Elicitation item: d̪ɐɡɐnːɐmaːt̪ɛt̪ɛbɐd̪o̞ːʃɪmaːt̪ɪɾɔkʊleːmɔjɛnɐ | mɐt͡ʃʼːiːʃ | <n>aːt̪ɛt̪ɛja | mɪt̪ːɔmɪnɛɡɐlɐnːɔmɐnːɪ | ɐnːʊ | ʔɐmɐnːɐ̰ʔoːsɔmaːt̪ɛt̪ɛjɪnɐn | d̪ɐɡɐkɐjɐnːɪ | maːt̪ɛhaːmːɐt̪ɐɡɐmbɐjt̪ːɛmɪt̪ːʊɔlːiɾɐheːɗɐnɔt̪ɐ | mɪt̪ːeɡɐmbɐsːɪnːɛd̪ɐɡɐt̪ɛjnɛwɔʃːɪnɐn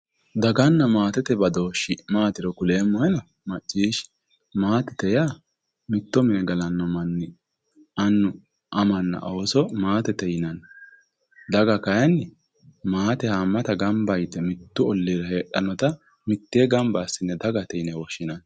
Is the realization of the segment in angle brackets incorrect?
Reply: yes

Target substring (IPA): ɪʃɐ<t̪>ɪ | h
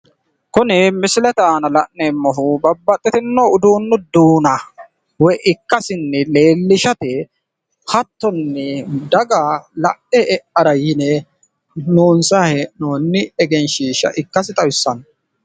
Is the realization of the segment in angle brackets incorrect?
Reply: no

